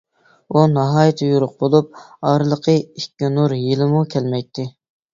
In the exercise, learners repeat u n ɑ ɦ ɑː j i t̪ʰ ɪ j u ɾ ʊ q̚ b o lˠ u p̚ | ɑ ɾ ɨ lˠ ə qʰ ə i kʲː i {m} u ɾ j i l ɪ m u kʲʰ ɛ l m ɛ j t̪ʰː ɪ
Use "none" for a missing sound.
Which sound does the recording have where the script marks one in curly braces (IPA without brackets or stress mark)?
n